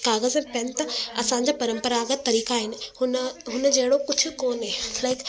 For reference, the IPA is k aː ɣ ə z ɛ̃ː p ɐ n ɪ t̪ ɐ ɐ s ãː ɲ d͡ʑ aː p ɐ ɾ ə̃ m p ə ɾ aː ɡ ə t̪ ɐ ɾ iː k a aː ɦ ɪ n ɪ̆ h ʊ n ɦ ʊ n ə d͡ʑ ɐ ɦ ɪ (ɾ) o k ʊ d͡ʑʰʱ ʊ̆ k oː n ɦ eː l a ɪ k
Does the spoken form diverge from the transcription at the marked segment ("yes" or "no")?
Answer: yes